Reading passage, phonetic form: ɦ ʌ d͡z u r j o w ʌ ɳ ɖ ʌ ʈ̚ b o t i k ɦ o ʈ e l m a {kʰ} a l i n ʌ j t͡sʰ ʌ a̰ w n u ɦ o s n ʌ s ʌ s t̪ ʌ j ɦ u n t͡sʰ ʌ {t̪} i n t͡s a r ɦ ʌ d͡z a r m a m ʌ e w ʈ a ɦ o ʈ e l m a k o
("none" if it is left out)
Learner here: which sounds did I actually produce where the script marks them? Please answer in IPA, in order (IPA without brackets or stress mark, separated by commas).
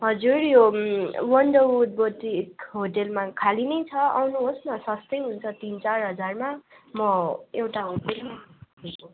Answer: kʰ, t̪